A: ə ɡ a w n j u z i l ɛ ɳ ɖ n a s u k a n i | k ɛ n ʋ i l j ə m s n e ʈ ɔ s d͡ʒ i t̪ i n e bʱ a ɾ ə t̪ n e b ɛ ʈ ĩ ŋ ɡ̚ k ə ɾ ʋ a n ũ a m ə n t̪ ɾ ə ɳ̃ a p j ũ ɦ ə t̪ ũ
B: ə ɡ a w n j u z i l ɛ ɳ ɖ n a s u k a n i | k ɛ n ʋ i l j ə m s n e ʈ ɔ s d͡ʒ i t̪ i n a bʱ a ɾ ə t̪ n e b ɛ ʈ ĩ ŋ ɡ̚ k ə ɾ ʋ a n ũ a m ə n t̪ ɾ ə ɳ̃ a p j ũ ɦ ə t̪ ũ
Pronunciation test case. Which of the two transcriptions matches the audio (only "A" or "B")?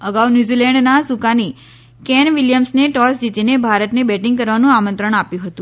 A